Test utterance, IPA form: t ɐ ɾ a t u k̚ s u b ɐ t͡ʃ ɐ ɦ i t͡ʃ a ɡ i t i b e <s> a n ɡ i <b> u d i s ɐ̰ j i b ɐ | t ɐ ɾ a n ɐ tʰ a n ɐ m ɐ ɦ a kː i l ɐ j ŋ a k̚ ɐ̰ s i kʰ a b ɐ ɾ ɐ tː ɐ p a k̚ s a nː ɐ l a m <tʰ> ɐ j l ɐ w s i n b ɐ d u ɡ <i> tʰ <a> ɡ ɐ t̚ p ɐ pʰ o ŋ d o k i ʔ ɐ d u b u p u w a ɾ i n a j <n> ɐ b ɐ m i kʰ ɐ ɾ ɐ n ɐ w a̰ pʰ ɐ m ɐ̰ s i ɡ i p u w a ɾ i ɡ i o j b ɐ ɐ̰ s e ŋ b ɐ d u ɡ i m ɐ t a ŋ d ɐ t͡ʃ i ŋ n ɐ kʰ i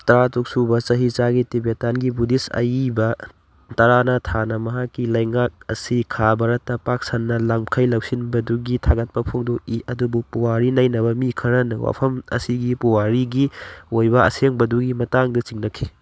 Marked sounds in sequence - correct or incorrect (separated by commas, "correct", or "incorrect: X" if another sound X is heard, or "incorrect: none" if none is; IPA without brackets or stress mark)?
incorrect: t, correct, incorrect: kʰ, correct, correct, correct